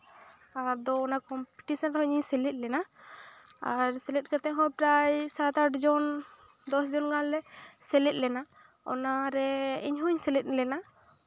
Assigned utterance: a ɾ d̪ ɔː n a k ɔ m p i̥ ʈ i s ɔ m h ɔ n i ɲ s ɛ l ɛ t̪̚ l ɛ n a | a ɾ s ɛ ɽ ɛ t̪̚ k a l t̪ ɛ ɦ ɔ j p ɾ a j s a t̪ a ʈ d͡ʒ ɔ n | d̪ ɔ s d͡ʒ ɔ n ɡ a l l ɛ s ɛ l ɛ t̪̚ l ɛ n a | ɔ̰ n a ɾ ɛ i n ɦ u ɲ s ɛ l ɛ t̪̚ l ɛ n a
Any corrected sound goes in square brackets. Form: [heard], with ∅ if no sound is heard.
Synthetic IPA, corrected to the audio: a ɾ d̪ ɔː n a k ɔ m p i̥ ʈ i s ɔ [n] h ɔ [ɲ] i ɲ s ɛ l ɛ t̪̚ l ɛ n a | a ɾ s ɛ [l] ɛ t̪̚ k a [∅] t̪ ɛ ɦ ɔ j p ɾ a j s a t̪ a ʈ d͡ʒ ɔ n | d̪ ɔ s d͡ʒ ɔ n ɡ a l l ɛ s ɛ l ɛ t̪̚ l ɛ n a | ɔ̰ n a ɾ ɛ i [ɲ] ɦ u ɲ s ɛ l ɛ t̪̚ l ɛ n a